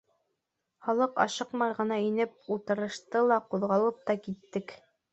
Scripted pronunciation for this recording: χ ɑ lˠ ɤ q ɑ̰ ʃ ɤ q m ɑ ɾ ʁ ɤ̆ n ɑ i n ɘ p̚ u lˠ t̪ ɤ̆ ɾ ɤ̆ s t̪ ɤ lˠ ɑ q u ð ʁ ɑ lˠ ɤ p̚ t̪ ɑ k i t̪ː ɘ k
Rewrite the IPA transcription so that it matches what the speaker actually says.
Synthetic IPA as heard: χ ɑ lˠ ɤ q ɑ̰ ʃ ɤ q m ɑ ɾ ʁ ɤ̆ n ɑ i n ɘ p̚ u lˠ t̪ ɤ̆ ɾ ɤ̆ ʃ t̪ ɤ lˠ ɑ q u ð ʁ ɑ lˠ ɤ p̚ t̪ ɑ k i t̪ː ɘ k